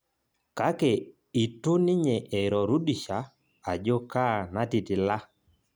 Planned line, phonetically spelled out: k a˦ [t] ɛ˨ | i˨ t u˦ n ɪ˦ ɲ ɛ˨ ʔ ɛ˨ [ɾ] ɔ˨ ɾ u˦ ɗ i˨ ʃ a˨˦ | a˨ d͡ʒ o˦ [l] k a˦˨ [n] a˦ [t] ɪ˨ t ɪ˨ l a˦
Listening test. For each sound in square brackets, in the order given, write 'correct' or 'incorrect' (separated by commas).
incorrect, correct, incorrect, correct, correct